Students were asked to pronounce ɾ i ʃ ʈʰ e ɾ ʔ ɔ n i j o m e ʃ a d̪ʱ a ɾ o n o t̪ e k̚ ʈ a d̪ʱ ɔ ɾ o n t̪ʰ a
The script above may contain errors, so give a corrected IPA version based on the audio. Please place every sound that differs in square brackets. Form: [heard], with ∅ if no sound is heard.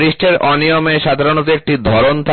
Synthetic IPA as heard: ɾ i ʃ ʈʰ e ɾ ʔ ɔ n i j o m e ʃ a d̪ʱ a ɾ o n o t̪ e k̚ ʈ [i] d̪ʱ ɔ ɾ o n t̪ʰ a

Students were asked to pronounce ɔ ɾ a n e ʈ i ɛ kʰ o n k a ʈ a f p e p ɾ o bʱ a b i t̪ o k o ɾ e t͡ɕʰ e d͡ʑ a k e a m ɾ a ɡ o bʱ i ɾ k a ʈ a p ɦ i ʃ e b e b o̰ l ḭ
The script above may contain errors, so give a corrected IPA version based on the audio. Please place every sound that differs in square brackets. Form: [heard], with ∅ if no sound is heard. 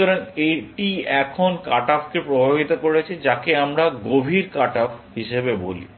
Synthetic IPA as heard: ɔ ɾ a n e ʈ i ɛ kʰ o n k a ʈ a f [k] e p ɾ o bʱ a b i t̪ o k o ɾ e t͡ɕʰ e d͡ʑ a k e a m ɾ a ɡ o bʱ i ɾ k a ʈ a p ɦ i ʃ e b e b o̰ l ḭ

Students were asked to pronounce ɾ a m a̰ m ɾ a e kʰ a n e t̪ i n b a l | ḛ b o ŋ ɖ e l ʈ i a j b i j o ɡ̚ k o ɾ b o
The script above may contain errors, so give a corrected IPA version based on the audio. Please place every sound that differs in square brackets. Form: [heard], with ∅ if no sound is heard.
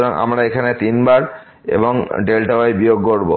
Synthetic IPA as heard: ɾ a [ŋ] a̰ m ɾ a e kʰ a n e t̪ i n b a [ɾ] | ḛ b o ŋ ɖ e l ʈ [a] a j b i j o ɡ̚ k o ɾ b o

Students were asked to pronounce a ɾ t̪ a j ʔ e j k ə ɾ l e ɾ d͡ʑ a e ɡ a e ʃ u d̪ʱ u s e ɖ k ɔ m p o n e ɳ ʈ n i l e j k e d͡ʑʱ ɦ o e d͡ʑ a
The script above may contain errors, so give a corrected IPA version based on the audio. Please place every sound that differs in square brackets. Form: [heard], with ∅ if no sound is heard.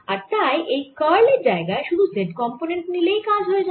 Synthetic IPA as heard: a ɾ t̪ a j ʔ e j k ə ɾ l e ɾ d͡ʑ a e ɡ a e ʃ u d̪ʱ u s e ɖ k ɔ m p o n e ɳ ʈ n i l e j k [a] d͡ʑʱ ɦ o e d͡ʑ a

